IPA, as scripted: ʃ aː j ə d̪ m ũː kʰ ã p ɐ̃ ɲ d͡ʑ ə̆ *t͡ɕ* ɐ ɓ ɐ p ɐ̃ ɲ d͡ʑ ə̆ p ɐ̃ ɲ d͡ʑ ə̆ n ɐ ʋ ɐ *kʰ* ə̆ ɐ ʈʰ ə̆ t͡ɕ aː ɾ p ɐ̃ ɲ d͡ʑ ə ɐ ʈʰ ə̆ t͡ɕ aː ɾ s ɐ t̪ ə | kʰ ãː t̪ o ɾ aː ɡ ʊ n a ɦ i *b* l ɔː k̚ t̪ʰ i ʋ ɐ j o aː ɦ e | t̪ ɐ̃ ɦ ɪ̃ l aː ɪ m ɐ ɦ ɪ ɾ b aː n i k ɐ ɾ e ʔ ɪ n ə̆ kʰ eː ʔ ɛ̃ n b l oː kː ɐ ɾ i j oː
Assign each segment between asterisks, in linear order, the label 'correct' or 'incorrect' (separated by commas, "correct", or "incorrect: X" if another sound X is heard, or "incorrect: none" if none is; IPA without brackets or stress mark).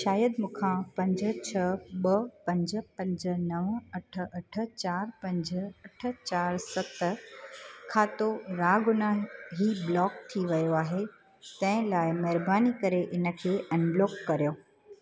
incorrect: t͡ɕʰ, incorrect: ʈʰ, correct